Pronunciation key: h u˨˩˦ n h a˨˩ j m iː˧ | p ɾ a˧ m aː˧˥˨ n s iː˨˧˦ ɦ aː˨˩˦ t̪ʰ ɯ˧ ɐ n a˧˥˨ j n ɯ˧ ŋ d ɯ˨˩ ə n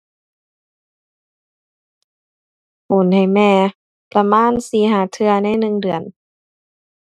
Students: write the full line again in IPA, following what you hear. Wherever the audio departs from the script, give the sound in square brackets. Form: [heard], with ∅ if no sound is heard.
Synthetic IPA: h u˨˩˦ n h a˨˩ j m [ɛː˧] | p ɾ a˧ m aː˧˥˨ n s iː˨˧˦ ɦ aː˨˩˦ t̪ʰ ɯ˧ ɐ n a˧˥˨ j n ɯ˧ ŋ d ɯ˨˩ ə n